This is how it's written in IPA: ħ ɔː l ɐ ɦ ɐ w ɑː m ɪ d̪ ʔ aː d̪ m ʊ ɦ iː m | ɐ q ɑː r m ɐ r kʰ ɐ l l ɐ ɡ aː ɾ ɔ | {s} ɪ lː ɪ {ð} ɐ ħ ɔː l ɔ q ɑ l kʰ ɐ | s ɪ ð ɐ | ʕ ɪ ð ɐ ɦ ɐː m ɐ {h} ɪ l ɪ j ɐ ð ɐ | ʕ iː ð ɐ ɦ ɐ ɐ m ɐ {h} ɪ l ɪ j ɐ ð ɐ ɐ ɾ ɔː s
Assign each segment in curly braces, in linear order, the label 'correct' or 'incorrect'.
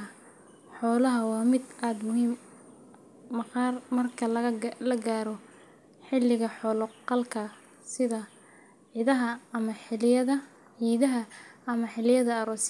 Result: incorrect: ħ, incorrect: ɣ, incorrect: ħ, incorrect: ħ

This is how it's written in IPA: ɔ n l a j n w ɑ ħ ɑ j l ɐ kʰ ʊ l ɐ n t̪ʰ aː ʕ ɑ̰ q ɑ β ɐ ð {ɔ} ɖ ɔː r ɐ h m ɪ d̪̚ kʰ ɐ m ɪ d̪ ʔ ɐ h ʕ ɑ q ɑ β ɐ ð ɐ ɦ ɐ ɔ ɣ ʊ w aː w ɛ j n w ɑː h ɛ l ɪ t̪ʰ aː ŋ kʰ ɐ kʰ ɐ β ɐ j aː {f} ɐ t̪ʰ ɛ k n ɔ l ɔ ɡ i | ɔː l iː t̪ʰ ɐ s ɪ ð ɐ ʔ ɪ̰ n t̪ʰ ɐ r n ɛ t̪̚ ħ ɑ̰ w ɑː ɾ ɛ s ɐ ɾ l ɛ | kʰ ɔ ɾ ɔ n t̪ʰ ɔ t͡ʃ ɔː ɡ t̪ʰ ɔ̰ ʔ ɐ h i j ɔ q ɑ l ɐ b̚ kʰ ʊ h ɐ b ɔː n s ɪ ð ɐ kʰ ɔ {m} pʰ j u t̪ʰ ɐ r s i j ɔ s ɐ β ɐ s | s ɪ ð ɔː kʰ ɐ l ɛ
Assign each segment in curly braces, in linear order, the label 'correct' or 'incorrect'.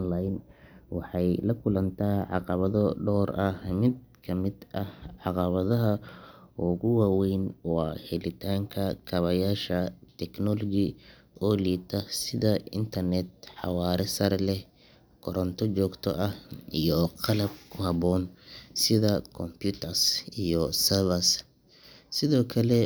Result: correct, incorrect: ʃ, correct

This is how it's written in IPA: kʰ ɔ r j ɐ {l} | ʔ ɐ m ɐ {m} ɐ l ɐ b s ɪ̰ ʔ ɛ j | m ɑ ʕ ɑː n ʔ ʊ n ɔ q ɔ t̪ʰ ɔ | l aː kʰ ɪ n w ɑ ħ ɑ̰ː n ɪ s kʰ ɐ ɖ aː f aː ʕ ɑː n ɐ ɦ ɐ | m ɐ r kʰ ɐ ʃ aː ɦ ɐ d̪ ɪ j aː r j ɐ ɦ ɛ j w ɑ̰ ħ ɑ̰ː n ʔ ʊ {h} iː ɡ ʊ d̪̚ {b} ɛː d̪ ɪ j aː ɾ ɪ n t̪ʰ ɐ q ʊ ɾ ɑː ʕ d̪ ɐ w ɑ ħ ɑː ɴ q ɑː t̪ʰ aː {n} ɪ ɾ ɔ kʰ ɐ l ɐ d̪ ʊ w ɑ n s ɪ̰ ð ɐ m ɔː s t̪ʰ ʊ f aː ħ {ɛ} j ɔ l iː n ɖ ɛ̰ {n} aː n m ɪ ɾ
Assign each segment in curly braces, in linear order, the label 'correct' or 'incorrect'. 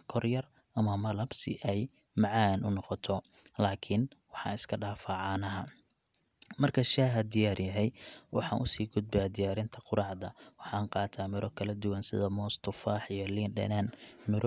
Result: incorrect: r, correct, incorrect: s, correct, incorrect: m, incorrect: i, correct

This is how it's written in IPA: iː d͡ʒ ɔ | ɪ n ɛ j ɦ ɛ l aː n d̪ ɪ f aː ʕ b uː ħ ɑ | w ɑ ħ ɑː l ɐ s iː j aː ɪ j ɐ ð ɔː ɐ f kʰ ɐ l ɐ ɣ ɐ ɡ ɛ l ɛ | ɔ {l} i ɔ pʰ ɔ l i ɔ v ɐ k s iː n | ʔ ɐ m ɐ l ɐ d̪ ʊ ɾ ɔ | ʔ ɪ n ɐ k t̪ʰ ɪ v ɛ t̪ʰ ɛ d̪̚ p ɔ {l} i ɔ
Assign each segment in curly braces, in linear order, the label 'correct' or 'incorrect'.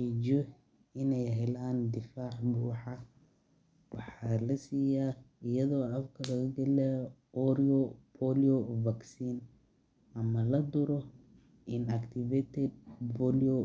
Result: incorrect: ɾ, correct

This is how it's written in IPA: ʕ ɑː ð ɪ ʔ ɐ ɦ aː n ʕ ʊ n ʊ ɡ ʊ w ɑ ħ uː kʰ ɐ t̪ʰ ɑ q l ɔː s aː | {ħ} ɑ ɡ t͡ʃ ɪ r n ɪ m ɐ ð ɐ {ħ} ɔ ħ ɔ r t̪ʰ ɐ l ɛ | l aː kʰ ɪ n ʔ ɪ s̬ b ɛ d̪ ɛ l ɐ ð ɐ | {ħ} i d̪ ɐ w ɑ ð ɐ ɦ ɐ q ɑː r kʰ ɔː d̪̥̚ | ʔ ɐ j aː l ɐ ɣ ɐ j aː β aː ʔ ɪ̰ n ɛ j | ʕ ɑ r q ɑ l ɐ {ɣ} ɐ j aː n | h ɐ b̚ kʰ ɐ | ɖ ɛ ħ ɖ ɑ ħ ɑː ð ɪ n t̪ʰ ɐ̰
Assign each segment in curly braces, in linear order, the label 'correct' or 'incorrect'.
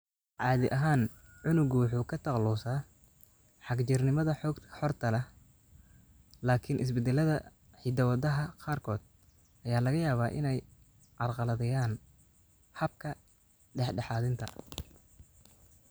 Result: correct, correct, correct, incorrect: ð

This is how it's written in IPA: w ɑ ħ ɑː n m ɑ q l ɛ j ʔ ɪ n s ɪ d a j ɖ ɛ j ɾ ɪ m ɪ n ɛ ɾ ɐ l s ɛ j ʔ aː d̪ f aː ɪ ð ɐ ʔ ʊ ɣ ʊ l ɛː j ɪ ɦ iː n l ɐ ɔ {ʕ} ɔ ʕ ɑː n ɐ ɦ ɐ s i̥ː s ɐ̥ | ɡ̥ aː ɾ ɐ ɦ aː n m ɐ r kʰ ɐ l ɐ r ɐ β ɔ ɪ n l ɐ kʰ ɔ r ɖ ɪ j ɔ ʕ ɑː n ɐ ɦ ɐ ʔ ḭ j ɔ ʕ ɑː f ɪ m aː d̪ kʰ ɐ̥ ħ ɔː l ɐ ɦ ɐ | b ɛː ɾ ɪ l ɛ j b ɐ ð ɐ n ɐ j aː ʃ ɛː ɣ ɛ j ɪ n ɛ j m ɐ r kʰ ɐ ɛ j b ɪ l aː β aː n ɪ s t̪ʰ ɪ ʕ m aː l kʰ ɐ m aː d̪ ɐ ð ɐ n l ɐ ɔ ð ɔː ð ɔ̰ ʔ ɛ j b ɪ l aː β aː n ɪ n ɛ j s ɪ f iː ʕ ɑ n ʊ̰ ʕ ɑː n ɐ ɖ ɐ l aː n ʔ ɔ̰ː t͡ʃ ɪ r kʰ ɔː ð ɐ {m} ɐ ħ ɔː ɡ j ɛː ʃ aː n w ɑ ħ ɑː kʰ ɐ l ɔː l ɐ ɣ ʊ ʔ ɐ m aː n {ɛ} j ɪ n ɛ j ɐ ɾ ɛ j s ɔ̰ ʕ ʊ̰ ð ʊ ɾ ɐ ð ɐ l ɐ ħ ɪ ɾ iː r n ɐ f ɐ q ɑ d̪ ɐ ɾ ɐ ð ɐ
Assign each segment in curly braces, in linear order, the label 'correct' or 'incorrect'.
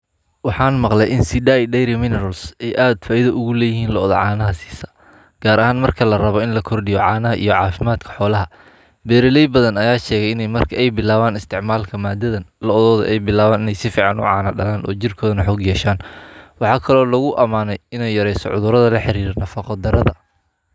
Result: incorrect: ð, incorrect: n, correct

